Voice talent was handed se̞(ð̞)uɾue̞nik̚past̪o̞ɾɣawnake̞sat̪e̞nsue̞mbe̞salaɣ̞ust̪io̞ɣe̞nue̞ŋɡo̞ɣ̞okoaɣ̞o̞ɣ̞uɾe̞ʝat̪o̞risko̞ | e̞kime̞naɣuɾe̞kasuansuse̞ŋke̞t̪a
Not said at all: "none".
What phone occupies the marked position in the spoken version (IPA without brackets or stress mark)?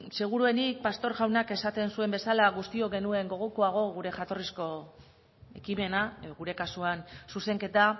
ɣ̞